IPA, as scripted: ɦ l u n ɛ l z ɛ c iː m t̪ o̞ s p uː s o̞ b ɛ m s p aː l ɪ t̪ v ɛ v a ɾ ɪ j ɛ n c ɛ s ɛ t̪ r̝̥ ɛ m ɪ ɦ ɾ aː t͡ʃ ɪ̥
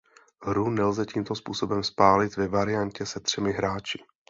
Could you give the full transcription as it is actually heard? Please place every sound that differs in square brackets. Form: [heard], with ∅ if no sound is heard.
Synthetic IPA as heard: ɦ [ɾ] u n ɛ l z ɛ c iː m t̪ o̞ s p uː s o̞ b ɛ m s p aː l ɪ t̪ v ɛ v a ɾ ɪ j [a] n c ɛ s ɛ t̪ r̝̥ ɛ m ɪ ɦ ɾ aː t͡ʃ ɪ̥